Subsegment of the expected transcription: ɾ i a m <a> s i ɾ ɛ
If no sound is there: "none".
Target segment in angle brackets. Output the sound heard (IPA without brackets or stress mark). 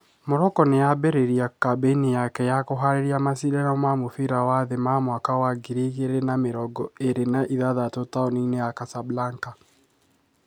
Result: a